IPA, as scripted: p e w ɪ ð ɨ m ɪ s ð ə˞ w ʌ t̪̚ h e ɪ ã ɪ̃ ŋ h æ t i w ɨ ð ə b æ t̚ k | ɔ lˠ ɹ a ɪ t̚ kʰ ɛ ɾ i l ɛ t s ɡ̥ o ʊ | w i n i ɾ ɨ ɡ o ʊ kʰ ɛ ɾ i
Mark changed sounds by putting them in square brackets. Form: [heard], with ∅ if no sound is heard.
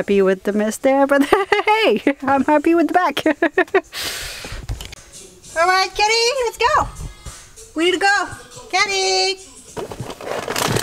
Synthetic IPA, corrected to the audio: p [i] w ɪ ð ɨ m ɪ s ð ə˞ [b] ʌ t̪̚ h e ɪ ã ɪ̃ [m] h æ [p] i w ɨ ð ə b æ [∅] k | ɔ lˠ ɹ a ɪ t̚ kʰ ɛ ɾ i l ɛ t s ɡ̥ o ʊ | w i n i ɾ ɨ ɡ o ʊ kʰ ɛ ɾ i